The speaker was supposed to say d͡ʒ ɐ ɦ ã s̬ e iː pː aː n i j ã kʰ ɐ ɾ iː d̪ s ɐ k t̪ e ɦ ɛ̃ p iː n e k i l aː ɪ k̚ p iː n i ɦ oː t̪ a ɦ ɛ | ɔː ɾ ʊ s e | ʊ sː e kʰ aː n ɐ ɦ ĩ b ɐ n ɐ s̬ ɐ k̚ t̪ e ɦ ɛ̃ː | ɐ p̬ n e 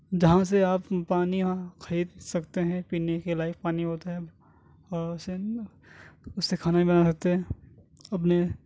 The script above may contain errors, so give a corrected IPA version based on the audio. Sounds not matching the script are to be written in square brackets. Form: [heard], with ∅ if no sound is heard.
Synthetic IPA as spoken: d͡ʒ ɐ ɦ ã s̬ e [aː] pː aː n i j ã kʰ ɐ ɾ iː d̪ s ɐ k t̪ e ɦ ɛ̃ p iː n e k [e] l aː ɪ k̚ p [aː] n i ɦ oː t̪ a ɦ ɛ | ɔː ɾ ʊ s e | ʊ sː e kʰ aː n [a] ɦ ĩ b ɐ n [a] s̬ ɐ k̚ t̪ e ɦ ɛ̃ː | ɐ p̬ n e